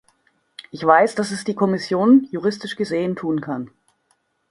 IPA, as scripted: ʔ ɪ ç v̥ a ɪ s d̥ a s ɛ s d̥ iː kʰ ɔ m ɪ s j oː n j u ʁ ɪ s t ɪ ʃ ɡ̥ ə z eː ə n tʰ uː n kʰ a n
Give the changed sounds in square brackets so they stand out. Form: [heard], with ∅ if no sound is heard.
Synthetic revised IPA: ʔ ɪ ç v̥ a ɪ s d̥ a s ɛ s d̥ iː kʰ ɔ m ɪ s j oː n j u ʁ ɪ s t ɪ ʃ ɡ̥ ə z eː ə n tʰ uː n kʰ a n